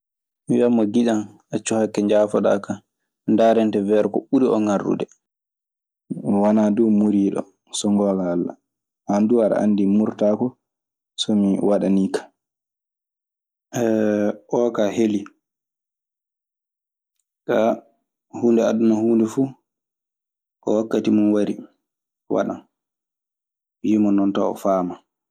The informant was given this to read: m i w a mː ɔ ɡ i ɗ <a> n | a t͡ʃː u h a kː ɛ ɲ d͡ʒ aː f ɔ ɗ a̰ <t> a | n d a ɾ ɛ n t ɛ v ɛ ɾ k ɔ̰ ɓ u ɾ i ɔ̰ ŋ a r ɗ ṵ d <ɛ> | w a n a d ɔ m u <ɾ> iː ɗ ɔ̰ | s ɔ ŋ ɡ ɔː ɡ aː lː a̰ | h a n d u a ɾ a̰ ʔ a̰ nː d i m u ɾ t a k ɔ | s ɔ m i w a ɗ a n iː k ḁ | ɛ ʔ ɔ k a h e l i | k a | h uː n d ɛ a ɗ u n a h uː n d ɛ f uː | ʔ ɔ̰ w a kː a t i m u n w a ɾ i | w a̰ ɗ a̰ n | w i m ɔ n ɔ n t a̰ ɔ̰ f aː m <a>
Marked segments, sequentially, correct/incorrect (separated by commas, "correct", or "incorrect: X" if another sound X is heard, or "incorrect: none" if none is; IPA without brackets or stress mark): correct, incorrect: k, correct, correct, correct